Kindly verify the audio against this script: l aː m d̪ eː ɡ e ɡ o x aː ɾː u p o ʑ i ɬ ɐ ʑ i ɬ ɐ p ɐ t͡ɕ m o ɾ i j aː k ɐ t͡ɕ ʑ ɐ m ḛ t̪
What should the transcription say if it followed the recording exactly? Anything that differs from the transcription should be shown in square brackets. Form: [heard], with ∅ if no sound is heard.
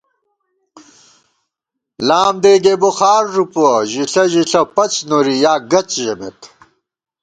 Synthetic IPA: l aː m d̪ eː ɡ e [b] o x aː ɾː u p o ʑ i ɬ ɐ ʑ i ɬ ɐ p ɐ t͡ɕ [n] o ɾ i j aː [ɡ] ɐ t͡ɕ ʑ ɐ m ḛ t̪